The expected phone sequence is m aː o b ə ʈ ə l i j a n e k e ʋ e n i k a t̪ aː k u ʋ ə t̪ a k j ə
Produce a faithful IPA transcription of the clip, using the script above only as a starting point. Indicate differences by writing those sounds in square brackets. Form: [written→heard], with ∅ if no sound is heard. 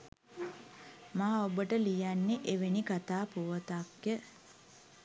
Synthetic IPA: m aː o b ə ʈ ə l i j a [n→nː] e [k→ʔ] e ʋ e n i k a t̪ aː [k→p] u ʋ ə t̪ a k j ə